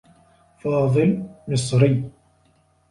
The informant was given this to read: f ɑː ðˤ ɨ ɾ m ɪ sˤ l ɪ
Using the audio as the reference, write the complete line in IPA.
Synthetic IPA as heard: f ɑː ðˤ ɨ l m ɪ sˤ ɾ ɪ